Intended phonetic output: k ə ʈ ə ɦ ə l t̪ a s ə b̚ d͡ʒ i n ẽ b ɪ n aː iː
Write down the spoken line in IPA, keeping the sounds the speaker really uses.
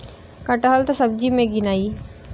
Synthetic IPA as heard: k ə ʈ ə ɦ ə l t̪ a s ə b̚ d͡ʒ i m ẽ ɡ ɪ n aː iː